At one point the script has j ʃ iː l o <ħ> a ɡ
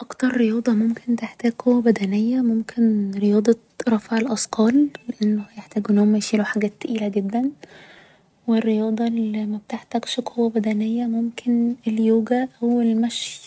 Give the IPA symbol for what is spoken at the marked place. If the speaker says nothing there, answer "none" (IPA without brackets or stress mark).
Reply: ħ